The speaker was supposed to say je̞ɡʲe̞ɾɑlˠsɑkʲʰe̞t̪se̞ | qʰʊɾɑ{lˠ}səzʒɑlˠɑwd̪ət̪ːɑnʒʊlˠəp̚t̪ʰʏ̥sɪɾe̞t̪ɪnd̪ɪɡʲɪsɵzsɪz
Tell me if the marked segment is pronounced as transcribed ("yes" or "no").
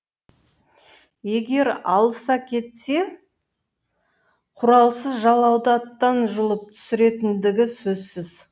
yes